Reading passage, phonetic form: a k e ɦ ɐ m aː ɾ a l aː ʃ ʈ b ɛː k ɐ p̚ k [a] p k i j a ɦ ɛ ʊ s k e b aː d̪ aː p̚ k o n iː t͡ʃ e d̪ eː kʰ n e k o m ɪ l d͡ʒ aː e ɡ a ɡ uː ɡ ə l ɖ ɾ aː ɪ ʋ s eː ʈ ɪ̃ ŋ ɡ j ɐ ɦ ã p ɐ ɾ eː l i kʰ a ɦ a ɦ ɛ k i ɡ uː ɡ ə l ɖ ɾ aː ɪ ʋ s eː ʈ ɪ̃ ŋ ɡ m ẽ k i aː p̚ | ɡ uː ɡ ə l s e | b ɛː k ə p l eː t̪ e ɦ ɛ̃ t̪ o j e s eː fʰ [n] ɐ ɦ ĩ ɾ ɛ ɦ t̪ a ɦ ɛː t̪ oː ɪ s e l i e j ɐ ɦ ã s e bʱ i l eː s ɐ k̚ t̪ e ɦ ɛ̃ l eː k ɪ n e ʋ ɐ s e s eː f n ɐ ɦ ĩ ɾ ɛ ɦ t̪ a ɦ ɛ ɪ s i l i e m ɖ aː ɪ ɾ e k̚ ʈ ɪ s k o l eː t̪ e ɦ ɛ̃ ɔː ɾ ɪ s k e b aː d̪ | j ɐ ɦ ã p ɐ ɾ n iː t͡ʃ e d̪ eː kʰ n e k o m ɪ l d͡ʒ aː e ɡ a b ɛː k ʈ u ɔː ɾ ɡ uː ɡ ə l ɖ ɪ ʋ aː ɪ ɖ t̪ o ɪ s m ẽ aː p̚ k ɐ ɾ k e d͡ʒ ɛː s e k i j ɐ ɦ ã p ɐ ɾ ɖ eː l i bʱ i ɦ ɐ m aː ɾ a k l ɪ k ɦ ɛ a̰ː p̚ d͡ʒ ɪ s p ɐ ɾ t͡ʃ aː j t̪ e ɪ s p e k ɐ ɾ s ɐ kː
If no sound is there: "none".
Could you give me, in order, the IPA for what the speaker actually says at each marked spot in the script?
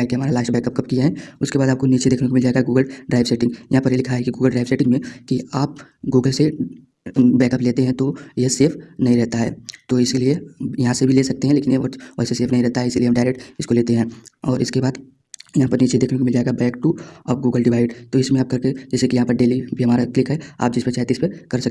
ɐ, n

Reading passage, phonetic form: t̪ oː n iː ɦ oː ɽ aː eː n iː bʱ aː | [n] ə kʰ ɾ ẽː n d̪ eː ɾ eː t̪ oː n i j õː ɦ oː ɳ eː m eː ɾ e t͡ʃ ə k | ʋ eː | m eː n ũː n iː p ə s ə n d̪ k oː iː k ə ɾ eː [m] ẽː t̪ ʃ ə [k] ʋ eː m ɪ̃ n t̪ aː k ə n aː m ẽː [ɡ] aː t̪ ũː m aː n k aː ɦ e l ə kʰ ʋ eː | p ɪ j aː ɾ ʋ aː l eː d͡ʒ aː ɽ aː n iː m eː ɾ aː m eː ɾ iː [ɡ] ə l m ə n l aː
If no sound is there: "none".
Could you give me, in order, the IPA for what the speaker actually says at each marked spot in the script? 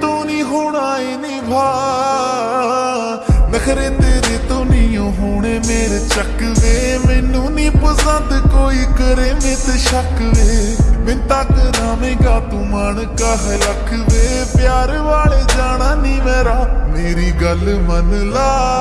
n, m, k, ɡ, ɡ

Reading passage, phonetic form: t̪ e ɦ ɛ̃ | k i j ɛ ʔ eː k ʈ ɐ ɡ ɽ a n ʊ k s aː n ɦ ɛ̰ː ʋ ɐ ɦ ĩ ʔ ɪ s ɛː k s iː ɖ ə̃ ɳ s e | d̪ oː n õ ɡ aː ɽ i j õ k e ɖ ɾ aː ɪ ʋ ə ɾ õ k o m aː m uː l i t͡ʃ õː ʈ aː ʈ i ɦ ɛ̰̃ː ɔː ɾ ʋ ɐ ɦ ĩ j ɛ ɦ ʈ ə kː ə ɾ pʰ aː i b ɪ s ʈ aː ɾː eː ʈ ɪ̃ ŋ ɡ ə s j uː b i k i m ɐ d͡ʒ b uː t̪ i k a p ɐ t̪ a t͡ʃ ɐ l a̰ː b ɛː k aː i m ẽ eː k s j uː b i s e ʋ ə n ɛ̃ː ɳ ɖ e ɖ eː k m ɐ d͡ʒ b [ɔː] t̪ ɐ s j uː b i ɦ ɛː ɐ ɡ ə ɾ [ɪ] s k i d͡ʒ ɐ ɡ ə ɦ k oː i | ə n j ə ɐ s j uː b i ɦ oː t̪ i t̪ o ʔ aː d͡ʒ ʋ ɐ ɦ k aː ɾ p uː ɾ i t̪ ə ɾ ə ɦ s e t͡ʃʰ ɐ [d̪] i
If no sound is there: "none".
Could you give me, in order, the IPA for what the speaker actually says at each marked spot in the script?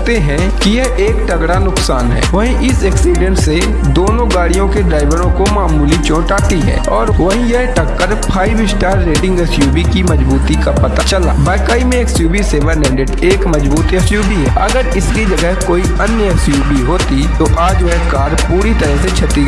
uː, ɪ, t̪

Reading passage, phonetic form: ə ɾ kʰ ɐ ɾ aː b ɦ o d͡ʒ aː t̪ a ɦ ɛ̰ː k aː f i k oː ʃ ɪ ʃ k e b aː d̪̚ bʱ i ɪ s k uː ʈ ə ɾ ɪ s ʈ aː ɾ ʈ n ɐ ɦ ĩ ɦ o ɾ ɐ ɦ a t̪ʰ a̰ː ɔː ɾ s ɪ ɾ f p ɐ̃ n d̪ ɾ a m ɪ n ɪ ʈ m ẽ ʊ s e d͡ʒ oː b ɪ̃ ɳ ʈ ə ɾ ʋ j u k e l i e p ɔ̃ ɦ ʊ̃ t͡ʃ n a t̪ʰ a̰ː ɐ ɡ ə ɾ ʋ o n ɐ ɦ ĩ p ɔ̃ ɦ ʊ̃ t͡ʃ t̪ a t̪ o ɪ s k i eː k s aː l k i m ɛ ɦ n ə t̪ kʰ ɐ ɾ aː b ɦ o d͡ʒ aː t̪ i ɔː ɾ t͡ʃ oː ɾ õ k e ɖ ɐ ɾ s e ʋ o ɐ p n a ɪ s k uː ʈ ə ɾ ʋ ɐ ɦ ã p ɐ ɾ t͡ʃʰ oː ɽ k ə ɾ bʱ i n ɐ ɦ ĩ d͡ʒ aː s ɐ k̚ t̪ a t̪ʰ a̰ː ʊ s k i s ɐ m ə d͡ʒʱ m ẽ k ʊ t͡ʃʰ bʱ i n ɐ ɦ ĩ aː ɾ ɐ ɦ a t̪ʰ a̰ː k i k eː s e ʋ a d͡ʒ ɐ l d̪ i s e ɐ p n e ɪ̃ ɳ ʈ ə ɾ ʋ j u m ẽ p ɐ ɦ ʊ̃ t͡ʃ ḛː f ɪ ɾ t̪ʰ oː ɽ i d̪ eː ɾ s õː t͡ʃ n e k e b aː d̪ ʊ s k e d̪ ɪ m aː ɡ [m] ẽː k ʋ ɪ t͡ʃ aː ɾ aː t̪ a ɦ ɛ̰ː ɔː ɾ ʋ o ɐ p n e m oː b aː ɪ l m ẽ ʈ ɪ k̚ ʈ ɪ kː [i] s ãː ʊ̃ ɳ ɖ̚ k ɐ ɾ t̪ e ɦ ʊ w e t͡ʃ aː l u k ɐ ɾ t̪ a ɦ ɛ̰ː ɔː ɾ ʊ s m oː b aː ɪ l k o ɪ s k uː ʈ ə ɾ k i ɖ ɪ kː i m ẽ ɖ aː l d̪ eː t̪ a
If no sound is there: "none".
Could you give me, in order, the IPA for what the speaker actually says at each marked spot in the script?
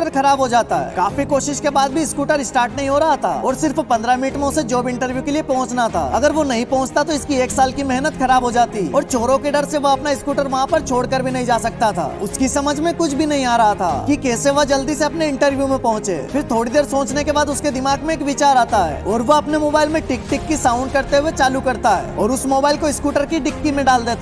m, i

